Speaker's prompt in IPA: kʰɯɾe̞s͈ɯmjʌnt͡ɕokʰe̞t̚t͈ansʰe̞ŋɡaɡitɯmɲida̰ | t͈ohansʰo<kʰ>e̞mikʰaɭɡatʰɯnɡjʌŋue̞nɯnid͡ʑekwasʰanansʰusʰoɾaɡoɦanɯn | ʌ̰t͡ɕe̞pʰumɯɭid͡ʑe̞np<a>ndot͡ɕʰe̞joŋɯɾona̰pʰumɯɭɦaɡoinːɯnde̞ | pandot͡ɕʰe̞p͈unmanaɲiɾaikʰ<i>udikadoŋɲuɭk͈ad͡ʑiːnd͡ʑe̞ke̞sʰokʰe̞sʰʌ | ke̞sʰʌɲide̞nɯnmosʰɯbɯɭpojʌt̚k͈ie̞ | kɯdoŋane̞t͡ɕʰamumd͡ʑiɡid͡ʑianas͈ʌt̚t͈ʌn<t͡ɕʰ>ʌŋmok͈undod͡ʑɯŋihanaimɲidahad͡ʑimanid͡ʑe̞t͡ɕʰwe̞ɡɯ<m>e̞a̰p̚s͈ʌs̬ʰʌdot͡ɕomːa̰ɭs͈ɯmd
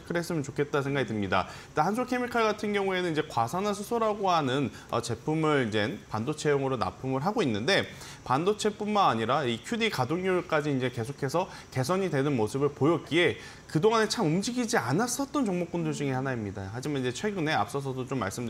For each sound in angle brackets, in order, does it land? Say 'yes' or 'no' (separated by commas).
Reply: yes, yes, no, no, no